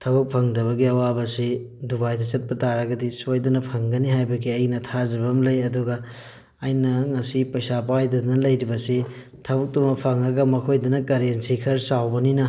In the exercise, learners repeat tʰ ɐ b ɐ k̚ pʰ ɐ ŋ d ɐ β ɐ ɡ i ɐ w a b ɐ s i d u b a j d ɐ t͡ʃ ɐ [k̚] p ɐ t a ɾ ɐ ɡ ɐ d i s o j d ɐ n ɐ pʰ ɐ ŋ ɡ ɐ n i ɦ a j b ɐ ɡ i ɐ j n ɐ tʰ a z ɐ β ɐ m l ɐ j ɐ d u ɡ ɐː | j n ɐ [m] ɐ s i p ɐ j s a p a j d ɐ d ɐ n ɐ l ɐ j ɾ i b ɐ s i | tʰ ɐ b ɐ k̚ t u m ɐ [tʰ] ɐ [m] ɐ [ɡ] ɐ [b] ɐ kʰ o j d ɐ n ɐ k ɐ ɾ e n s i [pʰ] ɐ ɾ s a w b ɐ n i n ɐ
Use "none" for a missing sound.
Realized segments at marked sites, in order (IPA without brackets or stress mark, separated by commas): t̚, ŋ, pʰ, ŋ, ɡ, m, kʰ